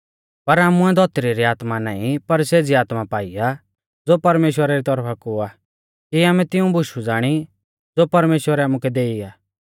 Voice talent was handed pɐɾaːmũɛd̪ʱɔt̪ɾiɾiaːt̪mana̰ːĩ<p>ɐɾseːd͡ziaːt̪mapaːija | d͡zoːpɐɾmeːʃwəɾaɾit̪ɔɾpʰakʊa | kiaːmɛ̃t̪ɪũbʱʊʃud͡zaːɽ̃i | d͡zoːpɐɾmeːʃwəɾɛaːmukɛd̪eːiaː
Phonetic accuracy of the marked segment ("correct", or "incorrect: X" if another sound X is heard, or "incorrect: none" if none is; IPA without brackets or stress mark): correct